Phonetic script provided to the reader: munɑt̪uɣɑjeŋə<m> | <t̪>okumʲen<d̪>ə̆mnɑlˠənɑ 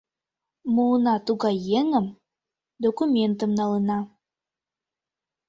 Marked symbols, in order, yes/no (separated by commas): yes, no, no